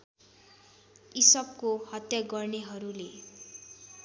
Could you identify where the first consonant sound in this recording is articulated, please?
alveolar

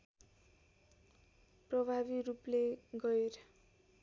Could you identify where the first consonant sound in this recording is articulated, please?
labial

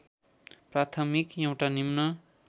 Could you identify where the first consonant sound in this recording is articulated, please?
labial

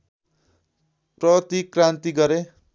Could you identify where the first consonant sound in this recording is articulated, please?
labial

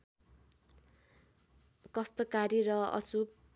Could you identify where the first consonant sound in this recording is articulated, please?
velar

